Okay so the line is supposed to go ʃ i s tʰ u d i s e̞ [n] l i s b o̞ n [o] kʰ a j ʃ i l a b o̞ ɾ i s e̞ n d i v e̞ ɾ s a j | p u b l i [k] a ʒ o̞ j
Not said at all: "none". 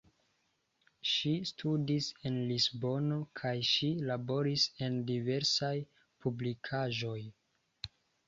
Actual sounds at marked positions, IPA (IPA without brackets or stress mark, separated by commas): n, o, kʰ